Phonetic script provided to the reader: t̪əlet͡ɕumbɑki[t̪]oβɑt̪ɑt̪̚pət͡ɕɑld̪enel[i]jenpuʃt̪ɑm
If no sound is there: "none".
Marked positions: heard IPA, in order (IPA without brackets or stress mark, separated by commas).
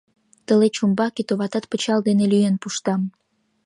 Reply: t̪, y